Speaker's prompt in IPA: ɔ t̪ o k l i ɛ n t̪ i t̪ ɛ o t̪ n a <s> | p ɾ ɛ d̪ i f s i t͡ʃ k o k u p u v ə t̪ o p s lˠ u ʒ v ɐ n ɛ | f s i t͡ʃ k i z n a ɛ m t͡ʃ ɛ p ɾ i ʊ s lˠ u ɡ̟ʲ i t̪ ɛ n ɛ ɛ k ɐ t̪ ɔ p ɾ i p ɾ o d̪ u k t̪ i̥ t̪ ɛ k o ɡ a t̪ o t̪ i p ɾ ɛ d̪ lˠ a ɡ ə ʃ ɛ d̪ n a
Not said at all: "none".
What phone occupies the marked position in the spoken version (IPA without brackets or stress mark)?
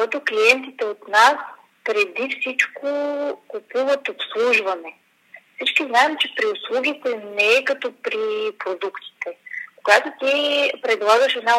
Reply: s